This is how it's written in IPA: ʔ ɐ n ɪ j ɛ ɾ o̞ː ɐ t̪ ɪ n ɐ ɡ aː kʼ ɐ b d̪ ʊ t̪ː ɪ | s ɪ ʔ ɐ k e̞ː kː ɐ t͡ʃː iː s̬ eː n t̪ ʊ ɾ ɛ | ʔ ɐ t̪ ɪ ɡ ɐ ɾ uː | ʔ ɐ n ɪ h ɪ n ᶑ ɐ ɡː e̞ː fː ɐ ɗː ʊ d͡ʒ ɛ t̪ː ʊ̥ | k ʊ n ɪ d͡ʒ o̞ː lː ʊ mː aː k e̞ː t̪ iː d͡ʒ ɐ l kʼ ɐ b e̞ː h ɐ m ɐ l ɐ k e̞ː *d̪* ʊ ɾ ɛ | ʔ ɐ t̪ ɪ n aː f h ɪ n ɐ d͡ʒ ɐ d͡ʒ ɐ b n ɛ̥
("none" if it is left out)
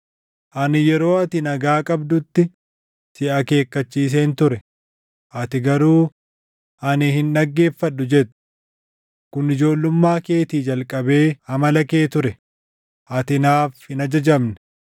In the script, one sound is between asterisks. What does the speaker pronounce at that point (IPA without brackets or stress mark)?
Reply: t̪